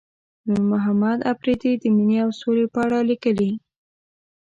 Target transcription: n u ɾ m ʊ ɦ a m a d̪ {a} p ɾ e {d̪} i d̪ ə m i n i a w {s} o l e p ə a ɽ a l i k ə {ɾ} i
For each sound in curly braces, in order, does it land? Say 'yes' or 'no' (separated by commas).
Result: yes, yes, yes, no